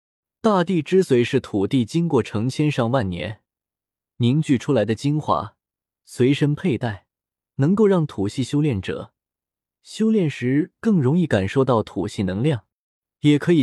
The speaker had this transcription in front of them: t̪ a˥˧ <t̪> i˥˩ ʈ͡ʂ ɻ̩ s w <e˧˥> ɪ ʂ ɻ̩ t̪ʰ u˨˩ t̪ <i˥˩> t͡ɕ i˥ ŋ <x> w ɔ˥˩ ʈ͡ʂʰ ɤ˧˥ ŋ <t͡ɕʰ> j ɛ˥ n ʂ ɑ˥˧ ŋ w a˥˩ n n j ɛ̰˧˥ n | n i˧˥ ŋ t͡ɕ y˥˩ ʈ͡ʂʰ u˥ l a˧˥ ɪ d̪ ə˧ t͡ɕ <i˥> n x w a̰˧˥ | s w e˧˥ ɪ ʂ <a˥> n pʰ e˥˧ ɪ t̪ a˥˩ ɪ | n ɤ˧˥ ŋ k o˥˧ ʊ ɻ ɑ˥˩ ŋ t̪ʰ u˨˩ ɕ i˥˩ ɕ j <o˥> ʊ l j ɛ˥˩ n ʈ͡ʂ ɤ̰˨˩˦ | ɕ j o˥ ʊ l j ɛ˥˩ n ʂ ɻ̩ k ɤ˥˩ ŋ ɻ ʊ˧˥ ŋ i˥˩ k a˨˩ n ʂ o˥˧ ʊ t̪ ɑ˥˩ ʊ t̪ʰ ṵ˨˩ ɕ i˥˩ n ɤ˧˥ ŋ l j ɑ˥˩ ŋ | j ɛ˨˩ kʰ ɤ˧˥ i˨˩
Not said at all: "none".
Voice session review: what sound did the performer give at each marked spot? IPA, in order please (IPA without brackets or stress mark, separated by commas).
t̪, e˧˥, i˥˩, k, t͡ɕʰ, i˥, ə˥, o˥